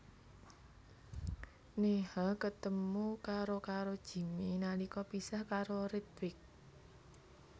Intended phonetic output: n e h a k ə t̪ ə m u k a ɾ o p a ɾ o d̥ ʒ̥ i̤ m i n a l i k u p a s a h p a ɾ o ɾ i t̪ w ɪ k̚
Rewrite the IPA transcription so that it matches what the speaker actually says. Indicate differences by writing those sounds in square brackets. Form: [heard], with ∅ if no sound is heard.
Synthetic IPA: n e h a k ə t̪ ə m u k a ɾ o [k] a ɾ o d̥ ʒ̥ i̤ m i n a l i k [ɔ] p [i] s a h [k] a ɾ o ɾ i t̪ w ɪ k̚

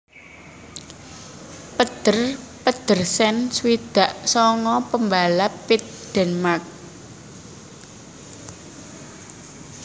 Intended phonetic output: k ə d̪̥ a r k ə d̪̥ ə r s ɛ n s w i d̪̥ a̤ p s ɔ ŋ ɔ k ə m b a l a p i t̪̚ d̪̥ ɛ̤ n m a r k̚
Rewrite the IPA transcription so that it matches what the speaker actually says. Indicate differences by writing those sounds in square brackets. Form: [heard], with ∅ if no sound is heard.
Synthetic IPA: [p] ə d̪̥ [ə] r [p] ə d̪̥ ə r s ɛ n s w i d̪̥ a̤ [ʔ] s ɔ ŋ ɔ [p] ə m b a l a p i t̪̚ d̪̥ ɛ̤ n m a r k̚

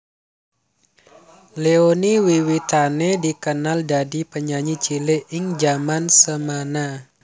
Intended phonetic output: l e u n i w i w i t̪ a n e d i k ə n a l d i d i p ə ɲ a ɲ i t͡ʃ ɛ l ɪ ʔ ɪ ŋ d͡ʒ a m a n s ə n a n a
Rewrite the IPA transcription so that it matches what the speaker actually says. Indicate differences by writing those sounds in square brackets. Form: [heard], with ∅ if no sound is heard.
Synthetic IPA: l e [o] n i w i w i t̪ a n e d i k ə n a l d [a] d i p ə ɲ a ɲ i t͡ʃ [i] l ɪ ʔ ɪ ŋ d͡ʒ a m a n s ə [m] a n a

